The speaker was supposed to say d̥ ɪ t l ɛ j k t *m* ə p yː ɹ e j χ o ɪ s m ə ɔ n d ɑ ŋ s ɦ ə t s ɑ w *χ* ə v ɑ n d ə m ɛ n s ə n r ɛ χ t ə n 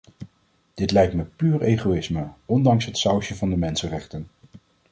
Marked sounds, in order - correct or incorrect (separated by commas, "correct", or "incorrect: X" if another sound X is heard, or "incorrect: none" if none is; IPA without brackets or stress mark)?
correct, incorrect: ʃ